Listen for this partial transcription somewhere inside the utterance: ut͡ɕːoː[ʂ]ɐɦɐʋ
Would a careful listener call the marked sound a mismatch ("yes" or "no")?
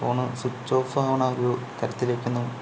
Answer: yes